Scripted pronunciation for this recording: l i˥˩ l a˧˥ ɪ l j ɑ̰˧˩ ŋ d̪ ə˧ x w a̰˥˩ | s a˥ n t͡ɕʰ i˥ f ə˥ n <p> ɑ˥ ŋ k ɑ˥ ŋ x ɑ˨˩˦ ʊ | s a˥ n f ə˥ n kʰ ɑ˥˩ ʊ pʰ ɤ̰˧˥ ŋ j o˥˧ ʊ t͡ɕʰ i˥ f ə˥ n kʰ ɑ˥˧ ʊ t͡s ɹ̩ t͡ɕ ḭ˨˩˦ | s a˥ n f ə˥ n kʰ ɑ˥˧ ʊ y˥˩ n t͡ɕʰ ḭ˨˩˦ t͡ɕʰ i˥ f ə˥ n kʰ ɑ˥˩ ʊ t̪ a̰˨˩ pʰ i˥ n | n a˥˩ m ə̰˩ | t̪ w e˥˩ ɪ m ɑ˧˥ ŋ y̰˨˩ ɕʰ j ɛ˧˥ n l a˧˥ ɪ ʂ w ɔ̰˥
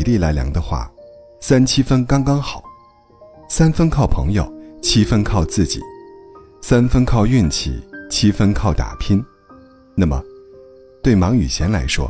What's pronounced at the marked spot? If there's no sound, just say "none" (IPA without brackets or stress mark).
k